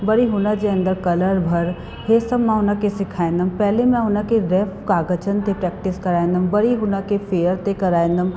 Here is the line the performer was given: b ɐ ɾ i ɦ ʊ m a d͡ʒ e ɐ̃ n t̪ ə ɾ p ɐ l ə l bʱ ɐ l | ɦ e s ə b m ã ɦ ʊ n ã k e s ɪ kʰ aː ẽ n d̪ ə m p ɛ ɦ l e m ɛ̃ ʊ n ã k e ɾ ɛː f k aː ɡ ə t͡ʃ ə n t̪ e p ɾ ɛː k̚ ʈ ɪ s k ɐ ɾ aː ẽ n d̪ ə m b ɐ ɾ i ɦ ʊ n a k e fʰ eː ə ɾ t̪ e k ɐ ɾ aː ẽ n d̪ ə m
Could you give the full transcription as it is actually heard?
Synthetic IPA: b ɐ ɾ i ɦ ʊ n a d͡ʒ e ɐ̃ n d̪ ə ɾ k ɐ l ə ɾ bʱ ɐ ɾ | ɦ e s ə b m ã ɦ ʊ n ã k e s ɪ kʰ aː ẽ n d̪ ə m p ɛ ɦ l e m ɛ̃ ʊ n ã k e ɾ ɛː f k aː ɡ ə t͡ʃ ə n t̪ e p ɾ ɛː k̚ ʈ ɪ s k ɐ ɾ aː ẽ n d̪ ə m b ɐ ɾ i ɦ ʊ n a k e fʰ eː ə ɾ t̪ e k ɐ ɾ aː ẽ n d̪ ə m